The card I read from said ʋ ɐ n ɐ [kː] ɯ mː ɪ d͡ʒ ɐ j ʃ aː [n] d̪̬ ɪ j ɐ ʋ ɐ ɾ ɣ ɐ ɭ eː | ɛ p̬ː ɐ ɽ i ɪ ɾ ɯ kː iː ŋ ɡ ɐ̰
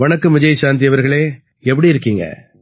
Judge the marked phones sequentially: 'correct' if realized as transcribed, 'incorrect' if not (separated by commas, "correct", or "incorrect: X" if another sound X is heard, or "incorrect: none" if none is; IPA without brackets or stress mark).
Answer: correct, correct